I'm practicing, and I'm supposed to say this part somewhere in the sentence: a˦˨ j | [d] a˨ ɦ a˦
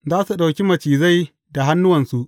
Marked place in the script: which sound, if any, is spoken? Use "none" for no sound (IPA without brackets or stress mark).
d